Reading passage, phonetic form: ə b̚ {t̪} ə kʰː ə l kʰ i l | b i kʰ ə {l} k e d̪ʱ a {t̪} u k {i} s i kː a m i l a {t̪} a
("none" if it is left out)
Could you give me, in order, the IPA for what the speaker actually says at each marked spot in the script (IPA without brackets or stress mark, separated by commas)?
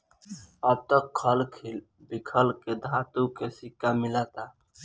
t̪, l, t̪, e, t̪